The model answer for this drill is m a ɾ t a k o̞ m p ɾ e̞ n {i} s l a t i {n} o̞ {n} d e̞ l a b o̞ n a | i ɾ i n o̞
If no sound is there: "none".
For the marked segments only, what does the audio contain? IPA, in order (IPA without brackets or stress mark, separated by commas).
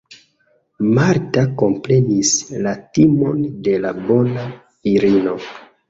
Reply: i, m, n